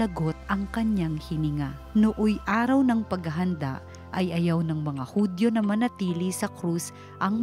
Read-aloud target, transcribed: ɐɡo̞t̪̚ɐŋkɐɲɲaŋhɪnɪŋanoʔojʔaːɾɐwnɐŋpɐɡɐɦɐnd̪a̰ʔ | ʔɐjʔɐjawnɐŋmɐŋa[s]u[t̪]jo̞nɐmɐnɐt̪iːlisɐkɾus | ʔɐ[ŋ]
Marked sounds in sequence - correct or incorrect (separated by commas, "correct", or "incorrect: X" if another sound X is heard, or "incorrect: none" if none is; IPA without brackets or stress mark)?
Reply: incorrect: h, incorrect: d̪, correct